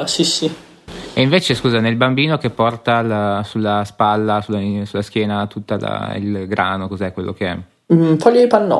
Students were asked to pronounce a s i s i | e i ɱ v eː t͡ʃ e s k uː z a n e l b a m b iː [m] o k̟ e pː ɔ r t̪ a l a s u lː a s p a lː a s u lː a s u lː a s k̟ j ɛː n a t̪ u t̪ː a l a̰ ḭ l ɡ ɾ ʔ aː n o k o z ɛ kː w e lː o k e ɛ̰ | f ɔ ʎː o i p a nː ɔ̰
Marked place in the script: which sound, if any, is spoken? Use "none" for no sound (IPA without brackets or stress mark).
n